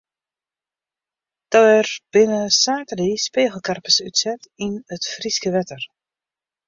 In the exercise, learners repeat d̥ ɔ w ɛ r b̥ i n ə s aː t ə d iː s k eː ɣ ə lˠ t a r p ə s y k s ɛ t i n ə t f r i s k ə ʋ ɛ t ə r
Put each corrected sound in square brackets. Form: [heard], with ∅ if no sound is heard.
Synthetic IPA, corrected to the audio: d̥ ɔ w ɛ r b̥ [ɪ] n ə s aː t ə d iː s [p] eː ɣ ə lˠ [k] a r p ə s y [t] s ɛ t i n ə t f r i s k ə ʋ ɛ t ə r